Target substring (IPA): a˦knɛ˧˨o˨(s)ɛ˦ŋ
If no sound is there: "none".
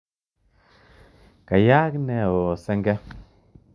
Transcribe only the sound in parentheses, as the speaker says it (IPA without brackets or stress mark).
s